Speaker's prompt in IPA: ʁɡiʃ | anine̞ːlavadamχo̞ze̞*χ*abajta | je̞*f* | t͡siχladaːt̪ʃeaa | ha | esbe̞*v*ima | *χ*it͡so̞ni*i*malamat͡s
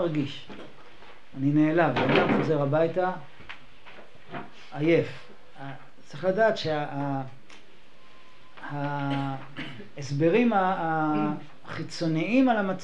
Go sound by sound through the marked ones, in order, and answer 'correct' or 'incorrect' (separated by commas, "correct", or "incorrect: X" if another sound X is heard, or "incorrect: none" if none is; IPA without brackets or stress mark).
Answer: incorrect: ʁ, correct, incorrect: ʁ, correct, correct